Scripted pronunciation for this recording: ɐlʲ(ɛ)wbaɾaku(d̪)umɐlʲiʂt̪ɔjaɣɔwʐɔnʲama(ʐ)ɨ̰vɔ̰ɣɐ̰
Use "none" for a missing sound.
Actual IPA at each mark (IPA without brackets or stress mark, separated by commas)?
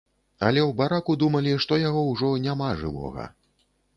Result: ɛ, d̪, ʐ